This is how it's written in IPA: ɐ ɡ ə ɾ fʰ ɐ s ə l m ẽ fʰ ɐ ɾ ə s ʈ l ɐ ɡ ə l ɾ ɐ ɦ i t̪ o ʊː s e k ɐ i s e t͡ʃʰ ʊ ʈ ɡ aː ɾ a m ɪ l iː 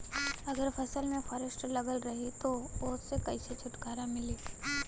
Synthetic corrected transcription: ɐ ɡ ə ɾ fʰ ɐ s ə l m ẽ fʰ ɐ ɾ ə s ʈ l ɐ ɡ ə l ɾ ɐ ɦ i t̪ o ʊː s e k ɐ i s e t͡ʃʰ ʊ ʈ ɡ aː ɾ a m ɪ l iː